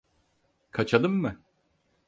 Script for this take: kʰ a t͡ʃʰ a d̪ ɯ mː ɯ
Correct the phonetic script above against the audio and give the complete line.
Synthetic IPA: kʰ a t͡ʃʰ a d̪ ɯ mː ɯ